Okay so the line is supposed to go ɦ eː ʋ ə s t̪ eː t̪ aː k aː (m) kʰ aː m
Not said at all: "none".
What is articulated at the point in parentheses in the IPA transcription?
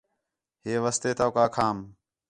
none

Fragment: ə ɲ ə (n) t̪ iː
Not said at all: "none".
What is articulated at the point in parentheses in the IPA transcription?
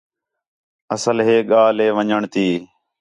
ɳ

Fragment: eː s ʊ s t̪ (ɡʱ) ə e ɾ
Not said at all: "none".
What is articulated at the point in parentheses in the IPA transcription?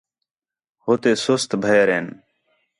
bʱ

